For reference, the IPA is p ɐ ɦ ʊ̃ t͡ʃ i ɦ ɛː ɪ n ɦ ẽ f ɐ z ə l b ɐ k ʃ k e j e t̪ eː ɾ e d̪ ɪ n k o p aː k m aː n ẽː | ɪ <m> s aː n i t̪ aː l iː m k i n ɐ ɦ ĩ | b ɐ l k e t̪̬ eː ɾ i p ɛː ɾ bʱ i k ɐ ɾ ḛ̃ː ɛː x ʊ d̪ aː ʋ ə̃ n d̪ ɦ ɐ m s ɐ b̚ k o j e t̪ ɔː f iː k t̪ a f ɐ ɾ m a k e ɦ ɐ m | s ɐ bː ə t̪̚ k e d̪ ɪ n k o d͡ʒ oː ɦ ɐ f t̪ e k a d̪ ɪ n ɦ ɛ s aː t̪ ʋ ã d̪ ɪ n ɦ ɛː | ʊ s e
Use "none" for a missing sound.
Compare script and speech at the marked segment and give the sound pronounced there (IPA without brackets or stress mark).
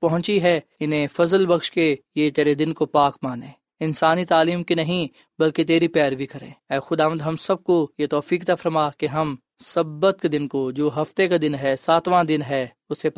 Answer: n